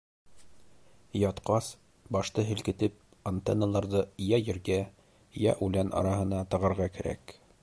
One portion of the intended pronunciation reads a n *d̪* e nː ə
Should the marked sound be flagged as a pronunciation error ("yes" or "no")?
yes